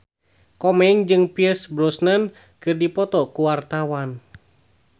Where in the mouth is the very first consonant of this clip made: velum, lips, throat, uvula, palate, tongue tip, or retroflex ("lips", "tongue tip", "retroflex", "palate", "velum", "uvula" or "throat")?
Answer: velum